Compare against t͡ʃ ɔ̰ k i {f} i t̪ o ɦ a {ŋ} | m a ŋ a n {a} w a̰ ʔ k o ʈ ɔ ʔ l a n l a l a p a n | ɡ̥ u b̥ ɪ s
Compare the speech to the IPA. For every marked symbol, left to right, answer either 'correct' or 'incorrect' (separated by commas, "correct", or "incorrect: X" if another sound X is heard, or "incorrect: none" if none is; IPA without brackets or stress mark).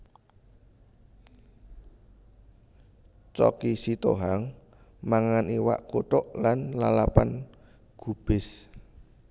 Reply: incorrect: s, correct, incorrect: i